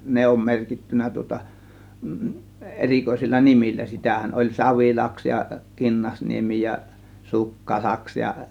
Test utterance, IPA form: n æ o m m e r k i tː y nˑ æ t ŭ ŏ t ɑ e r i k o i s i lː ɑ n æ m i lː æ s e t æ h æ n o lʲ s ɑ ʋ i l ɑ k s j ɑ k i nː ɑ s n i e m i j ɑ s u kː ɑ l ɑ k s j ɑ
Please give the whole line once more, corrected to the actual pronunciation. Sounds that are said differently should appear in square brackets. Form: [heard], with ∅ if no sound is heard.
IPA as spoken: n [e] o m m e r k i tː y nˑ æ t ŭ ŏ t ɑ e r i k o i s i lː ɑ n [i] m i lː æ s [i] t æ h æ n o lʲ s ɑ ʋ i l ɑ k s j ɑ k i nː ɑ s n i e m i j ɑ s u kː ɑ l ɑ k s j ɑ